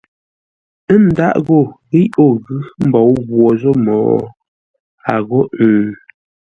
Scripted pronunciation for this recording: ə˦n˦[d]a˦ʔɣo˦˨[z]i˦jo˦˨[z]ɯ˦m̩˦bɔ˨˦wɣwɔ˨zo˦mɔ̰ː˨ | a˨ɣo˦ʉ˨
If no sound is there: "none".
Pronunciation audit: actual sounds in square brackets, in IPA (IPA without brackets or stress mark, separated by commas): d, ɣ, ɣ